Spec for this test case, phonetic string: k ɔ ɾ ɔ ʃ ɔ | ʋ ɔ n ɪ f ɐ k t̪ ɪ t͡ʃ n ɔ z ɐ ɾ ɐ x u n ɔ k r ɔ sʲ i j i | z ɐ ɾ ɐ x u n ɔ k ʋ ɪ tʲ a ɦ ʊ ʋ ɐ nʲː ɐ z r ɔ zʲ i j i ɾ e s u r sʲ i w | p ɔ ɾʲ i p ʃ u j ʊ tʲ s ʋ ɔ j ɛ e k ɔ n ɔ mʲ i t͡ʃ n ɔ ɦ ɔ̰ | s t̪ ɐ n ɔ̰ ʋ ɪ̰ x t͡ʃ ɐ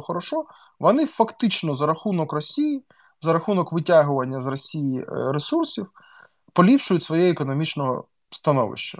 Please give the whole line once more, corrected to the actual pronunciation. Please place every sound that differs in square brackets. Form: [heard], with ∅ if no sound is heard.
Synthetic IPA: [x] ɔ ɾ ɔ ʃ ɔ | ʋ ɔ n ɪ f ɐ k t̪ ɪ t͡ʃ n ɔ z ɐ ɾ ɐ x u n ɔ k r ɔ sʲ i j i | z ɐ ɾ ɐ x u n ɔ k ʋ ɪ tʲ a ɦ ʊ ʋ ɐ nʲː ɐ z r ɔ [sʲ] i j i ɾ e s u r sʲ i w | p ɔ [lʲ] i p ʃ [ʊ] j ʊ tʲ s ʋ ɔ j ɛ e k ɔ n ɔ mʲ i t͡ʃ n ɔ ɦ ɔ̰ | s t̪ ɐ n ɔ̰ ʋ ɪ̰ [ʃ] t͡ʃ ɐ